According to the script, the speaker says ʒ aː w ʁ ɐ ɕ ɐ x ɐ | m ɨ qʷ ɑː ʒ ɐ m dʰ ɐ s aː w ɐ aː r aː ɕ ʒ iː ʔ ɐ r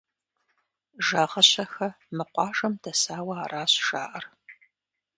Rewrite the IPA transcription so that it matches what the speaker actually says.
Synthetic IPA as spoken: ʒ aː ʁ ɐ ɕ ɐ x ɐ | m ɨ qʷ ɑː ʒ ɐ m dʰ ɐ s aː w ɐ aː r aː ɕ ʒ aː ʔ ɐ r